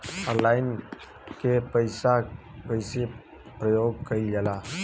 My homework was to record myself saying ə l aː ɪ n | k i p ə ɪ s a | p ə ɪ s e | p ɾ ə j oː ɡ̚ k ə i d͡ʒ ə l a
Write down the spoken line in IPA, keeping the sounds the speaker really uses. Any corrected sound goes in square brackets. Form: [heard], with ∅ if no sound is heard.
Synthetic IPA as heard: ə l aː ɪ n | k [e] p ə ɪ s a | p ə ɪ s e | p ɾ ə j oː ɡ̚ k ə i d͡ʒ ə l a